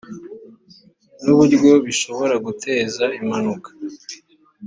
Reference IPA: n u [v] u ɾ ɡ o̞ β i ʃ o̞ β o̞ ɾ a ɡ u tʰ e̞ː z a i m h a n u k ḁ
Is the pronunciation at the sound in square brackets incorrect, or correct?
incorrect: β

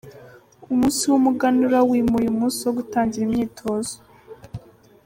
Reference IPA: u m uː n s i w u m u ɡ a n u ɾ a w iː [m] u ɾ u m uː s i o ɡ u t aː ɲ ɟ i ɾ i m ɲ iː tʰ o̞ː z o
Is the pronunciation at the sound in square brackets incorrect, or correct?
correct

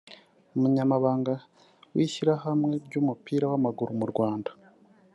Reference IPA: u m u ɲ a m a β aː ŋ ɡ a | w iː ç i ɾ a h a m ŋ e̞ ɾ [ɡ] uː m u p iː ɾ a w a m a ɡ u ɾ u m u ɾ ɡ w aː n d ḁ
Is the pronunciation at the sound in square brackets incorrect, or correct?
incorrect: ɟ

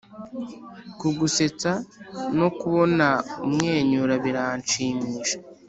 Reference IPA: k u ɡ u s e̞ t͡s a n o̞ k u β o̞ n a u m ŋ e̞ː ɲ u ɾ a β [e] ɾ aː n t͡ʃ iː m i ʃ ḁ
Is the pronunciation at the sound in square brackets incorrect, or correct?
incorrect: i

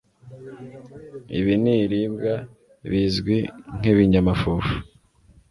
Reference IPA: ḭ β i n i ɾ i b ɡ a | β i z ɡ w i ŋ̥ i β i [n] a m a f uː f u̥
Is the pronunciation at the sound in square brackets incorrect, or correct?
incorrect: ɲ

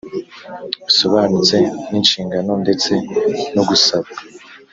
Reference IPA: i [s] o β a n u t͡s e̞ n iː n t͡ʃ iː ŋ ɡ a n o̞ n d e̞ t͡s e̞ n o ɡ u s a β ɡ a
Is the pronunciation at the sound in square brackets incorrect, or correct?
correct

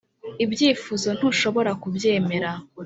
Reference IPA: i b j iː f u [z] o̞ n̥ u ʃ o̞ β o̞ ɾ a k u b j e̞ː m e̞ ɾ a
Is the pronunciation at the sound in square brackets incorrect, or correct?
correct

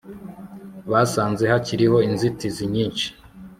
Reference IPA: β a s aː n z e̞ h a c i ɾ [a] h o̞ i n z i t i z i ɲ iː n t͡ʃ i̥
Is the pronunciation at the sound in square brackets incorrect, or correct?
incorrect: i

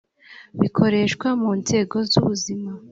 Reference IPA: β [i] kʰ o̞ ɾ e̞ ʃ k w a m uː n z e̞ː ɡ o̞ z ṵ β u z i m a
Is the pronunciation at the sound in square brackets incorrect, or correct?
correct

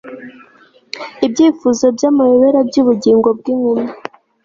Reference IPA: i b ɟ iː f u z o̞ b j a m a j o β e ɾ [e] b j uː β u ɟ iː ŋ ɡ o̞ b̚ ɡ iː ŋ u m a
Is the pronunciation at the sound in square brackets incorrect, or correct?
incorrect: a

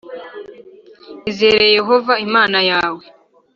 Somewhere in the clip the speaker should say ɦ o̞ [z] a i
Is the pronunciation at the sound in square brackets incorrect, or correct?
incorrect: v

